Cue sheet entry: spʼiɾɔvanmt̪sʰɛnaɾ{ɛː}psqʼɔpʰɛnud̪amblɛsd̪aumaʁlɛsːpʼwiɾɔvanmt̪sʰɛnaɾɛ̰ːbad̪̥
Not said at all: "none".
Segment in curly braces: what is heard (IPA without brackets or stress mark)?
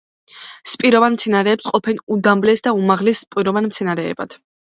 ɛː